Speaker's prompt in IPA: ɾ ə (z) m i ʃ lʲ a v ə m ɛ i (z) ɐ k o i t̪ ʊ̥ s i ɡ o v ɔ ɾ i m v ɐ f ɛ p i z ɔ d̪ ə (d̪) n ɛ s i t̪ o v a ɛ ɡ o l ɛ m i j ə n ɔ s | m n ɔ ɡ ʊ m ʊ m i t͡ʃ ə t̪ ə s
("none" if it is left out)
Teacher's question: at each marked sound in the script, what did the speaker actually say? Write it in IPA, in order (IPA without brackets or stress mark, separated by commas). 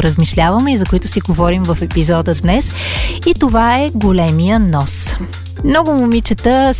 z, z, d̪